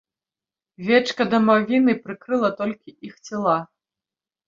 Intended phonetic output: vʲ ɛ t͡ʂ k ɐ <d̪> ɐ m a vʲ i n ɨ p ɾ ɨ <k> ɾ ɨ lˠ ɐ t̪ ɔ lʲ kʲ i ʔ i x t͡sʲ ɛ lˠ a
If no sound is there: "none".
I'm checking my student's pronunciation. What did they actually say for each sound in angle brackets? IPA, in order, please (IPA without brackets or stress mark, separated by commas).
d̪, k